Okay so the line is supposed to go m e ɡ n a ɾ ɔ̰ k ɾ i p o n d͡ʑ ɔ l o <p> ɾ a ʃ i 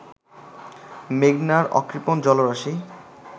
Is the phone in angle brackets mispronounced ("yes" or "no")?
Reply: yes